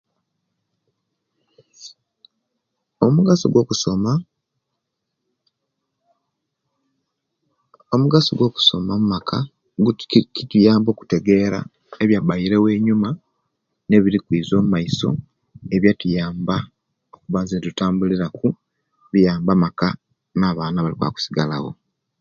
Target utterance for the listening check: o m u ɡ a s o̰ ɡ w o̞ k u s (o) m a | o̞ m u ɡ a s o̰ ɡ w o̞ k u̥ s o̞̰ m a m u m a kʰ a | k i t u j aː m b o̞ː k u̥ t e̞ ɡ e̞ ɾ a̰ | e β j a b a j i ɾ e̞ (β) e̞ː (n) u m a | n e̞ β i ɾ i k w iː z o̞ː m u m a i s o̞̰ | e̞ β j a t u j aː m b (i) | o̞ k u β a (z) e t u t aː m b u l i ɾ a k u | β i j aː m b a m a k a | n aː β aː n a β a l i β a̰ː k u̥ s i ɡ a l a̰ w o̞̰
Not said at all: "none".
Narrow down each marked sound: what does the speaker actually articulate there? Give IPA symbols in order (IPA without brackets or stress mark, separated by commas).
o, w, ɲ, a, z